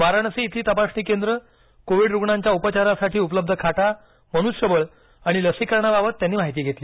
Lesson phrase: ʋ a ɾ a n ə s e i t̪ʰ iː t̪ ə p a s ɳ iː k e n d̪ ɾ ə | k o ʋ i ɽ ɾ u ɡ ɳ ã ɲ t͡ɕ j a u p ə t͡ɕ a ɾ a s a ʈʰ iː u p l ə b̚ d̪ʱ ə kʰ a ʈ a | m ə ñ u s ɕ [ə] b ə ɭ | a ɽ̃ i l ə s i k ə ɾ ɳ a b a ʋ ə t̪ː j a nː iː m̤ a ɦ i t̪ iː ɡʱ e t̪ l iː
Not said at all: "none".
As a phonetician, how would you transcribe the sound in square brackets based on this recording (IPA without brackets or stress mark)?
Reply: ə